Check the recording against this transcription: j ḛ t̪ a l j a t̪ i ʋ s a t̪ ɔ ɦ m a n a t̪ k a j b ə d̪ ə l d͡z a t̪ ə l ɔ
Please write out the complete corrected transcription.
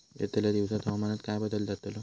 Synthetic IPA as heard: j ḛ t̪ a l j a d̪ i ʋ s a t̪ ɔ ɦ m a n a t̪ k a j b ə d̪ ə l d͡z a t̪ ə l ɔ